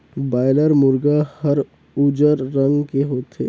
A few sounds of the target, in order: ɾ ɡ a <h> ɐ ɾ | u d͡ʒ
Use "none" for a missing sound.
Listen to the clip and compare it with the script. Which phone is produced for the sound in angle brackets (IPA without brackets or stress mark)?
h